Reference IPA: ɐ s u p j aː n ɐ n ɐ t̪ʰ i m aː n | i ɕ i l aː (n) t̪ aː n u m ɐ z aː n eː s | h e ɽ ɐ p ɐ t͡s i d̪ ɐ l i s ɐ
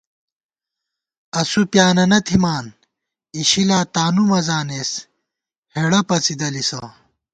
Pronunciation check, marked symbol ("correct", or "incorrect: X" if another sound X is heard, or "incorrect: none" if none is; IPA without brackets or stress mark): incorrect: none